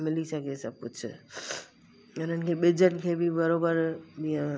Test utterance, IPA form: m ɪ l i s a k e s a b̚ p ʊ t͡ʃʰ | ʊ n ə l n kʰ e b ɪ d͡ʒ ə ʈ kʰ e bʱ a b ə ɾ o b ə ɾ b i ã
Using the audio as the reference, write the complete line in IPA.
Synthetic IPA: m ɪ l i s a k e s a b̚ p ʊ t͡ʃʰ | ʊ n ə n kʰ e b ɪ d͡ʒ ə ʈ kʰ e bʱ i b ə ɾ o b ə ɾ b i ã